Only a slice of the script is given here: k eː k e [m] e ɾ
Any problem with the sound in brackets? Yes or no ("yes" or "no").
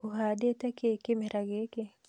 no